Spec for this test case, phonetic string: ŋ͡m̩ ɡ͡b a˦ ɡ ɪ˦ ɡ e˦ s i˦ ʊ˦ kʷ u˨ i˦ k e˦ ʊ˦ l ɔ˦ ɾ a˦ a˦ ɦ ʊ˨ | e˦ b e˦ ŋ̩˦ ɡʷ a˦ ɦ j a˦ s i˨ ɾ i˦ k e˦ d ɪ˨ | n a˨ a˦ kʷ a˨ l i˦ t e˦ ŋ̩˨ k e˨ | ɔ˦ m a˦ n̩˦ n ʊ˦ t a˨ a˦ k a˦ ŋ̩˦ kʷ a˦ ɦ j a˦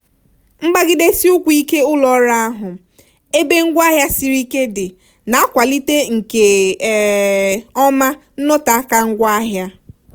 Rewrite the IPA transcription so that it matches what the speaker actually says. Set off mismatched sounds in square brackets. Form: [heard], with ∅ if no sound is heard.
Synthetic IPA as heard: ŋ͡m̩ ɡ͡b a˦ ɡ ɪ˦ [d] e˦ s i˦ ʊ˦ kʷ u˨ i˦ k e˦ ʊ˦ l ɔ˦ ɾ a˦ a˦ ɦ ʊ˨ | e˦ b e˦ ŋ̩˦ ɡʷ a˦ ɦ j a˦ s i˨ ɾ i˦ k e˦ d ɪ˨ | n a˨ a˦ kʷ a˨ l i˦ t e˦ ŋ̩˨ k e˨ | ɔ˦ m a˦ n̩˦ n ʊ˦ t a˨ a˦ k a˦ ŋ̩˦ [ɡʷ] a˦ ɦ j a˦